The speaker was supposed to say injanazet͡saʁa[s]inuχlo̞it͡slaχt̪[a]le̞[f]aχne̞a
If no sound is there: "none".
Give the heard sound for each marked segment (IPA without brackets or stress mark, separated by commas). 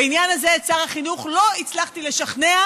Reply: χ, i, ʃ